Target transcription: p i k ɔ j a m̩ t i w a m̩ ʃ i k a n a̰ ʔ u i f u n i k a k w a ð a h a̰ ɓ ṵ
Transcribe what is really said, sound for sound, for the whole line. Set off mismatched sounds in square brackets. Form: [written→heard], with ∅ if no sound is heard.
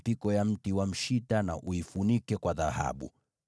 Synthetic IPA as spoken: p i k ɔ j a m̩ t i w a m̩ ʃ i [k→t] a n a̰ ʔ u i f u n i k [a→ɛ] k w a ð a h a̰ ɓ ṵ